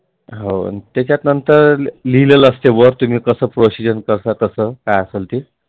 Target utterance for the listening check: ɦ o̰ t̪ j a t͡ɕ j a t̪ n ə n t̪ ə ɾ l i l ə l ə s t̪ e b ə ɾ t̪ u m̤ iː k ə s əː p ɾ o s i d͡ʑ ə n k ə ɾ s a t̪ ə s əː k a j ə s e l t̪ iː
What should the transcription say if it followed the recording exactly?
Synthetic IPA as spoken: ɦ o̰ t̪ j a t͡ɕ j a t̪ n ə n t̪ ə ɾ l i l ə l ə s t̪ e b ə ɾ t̪ u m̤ iː k ə s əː p ɾ o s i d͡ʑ ə n k ə ɾ s a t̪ ə s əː k a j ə s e l t̪ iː